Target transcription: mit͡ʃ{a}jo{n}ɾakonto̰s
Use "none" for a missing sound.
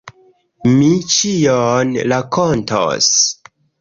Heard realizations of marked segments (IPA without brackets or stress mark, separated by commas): i, n